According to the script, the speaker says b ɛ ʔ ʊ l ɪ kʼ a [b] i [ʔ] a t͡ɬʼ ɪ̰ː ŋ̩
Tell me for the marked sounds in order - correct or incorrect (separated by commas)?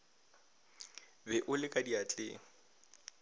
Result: incorrect, incorrect